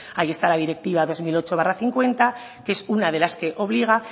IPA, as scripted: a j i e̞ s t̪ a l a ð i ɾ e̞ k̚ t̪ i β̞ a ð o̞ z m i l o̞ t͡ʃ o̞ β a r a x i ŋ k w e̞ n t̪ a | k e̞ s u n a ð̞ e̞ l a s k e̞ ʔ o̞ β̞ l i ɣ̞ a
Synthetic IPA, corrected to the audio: a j i e̞ s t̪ a l a ð i ɾ e̞ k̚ t̪ i β̞ a ð o̞ z m i l o̞ t͡ʃ o̞ β a r a θ i ŋ k w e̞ n t̪ a | k e̞ s u n a ð̞ e̞ l a s k e̞ ʔ o̞ β̞ l i ɣ̞ a